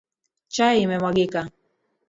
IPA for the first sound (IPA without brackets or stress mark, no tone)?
t͡ʃ